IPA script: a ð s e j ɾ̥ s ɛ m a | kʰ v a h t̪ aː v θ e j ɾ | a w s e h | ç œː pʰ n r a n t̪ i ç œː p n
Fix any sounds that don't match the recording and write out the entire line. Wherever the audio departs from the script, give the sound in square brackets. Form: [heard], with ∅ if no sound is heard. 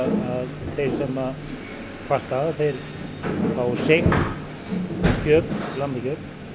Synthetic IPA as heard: a ð [θ] e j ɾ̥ s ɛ m a | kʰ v a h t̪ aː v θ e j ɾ | a w s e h | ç œː [p] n [l] a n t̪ [a] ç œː p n